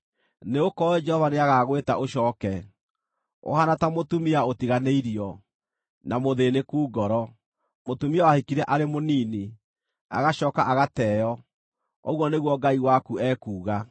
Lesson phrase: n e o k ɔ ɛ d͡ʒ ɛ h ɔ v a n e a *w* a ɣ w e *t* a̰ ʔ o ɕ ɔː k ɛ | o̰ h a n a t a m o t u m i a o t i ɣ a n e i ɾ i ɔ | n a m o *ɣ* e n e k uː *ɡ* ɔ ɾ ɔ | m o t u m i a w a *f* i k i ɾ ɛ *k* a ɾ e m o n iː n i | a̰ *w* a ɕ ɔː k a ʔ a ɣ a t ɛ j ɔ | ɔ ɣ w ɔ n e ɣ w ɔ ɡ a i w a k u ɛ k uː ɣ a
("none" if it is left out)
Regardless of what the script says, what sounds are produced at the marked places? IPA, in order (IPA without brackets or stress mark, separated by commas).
ɣ, t, ð, ɡ, h, ʔ, ɣ